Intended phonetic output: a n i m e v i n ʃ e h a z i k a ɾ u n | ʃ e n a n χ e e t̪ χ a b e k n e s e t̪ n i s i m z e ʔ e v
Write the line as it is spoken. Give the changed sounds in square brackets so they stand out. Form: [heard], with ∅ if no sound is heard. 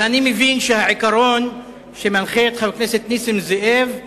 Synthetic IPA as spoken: a n i m e v i n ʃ e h a [ʕ] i k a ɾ [o] n | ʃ e [m] a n χ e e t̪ χ a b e k n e s e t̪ n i s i m z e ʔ e v